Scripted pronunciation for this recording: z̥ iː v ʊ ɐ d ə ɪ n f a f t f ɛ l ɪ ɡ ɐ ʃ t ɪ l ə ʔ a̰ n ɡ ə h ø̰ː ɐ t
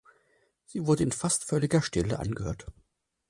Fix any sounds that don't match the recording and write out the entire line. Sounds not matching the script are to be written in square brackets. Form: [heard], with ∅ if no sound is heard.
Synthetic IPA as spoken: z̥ iː v ʊ ɐ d ə ɪ n f a [s] t f [œ] l ɪ ɡ ɐ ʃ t ɪ l ə ʔ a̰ n ɡ ə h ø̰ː ɐ t